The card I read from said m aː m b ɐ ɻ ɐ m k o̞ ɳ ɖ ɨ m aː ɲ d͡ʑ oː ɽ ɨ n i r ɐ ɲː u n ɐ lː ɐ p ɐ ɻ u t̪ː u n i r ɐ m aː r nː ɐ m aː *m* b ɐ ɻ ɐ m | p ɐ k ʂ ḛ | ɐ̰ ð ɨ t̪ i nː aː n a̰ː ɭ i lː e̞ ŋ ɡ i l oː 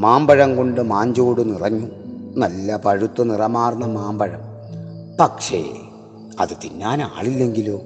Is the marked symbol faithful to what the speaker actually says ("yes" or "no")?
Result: yes